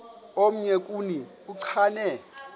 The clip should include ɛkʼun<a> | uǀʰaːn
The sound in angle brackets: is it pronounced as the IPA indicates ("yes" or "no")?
no